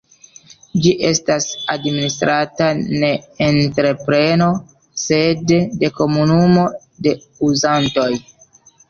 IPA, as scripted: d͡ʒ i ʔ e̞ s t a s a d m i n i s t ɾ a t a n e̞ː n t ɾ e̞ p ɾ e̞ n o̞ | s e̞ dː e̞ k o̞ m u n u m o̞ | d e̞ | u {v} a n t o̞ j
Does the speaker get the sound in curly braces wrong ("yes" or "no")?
yes